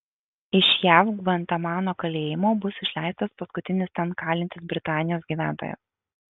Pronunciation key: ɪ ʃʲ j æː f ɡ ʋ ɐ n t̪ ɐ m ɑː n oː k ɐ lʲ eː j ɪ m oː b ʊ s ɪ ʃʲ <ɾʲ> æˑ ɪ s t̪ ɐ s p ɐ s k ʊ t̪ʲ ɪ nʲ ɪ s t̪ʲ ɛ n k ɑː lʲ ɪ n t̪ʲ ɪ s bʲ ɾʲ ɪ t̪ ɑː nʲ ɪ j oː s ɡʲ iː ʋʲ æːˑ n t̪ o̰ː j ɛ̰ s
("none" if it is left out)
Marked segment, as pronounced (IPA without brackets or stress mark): lʲ